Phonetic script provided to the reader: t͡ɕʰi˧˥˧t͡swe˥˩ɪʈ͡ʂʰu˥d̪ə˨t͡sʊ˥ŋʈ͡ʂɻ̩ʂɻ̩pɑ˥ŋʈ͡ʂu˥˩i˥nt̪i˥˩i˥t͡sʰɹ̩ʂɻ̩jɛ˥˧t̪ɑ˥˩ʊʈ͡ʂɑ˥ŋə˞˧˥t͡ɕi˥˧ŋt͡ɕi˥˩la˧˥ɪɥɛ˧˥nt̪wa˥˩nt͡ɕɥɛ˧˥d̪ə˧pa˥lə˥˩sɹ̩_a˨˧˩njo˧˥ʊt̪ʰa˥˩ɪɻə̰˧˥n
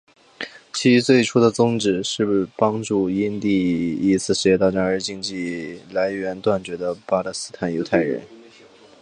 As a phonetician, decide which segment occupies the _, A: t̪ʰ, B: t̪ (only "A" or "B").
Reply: A